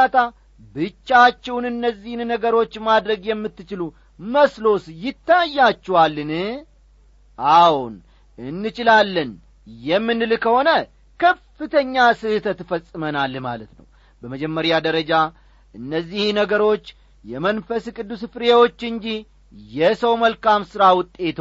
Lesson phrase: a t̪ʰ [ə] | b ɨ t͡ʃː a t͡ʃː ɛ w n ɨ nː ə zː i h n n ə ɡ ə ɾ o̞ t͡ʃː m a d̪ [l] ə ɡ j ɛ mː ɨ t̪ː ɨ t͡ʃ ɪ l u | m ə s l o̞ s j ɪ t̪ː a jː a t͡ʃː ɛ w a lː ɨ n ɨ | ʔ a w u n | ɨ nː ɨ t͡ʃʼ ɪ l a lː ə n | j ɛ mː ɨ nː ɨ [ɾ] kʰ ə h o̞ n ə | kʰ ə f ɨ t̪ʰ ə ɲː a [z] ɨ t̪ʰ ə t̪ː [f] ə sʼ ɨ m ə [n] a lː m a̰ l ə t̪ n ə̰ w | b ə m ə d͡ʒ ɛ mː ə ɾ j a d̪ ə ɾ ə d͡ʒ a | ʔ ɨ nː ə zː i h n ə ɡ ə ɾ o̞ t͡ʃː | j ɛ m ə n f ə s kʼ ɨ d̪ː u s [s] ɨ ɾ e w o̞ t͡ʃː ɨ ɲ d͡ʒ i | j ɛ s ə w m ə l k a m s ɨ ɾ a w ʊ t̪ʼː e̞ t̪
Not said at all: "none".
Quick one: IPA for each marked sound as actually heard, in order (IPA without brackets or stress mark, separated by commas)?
a, ɾ, l, s, f, n, f